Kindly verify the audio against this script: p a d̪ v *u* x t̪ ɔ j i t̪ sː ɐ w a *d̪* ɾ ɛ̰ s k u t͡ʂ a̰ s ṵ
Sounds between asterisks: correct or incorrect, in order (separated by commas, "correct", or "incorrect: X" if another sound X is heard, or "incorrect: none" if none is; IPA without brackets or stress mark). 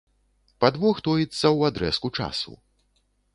incorrect: ɔ, correct